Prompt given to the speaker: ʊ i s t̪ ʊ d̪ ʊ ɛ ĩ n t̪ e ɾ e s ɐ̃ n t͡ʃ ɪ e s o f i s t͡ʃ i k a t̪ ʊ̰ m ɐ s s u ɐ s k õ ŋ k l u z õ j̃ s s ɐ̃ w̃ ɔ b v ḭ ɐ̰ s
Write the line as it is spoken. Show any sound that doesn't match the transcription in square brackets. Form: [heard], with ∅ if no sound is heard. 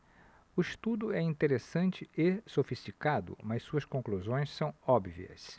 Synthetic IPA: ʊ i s t̪ [u] d̪ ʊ ɛ ĩ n t̪ e ɾ e s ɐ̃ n t͡ʃ ɪ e s o f i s t͡ʃ i k a [d̪] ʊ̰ m ɐ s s u ɐ s k õ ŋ k l u z õ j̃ s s ɐ̃ w̃ ɔ b v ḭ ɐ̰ s